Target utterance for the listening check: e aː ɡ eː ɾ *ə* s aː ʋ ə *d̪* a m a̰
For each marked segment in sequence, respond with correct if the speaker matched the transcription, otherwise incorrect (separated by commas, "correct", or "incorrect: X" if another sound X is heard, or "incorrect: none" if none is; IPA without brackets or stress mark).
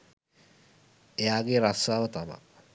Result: incorrect: a, incorrect: t̪